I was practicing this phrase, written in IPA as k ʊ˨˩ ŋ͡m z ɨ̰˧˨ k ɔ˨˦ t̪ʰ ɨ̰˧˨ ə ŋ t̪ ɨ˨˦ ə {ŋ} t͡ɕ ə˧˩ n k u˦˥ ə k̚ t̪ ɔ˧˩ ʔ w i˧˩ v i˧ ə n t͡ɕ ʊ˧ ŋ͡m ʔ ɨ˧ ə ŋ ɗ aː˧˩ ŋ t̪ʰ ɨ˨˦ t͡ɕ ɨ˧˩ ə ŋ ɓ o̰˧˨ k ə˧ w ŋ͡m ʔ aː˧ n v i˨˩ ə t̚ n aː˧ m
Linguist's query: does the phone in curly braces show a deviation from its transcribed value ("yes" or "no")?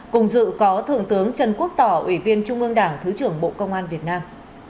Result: no